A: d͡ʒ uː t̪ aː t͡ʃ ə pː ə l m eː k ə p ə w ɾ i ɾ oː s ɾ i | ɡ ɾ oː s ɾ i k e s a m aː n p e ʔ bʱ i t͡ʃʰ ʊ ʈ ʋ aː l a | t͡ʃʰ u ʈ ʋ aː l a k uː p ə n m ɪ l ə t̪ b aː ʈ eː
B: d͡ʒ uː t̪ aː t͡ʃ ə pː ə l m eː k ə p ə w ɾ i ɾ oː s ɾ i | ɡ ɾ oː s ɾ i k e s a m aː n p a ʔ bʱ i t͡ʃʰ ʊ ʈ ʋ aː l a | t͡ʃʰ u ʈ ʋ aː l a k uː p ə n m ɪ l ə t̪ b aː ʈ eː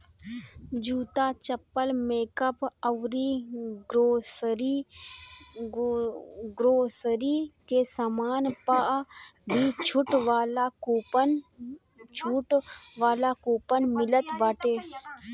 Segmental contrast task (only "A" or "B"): B